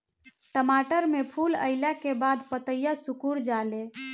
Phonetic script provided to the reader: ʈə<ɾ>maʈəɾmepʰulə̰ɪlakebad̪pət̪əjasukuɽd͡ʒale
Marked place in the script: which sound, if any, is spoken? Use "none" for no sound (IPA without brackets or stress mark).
none